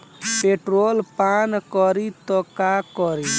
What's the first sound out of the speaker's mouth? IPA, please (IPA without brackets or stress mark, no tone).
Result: p